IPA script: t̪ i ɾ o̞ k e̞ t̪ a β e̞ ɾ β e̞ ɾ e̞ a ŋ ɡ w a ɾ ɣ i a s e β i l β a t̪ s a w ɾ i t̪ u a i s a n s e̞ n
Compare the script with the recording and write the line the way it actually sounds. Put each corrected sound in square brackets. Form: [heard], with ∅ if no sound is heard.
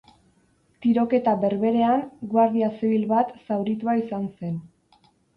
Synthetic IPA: t̪ i ɾ o̞ k e̞ t̪ a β e̞ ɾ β e̞ ɾ e̞ a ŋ ɡ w a ɾ [ð] i a s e β i l β a t̪ s a w ɾ i t̪ u a i s a n s e̞ n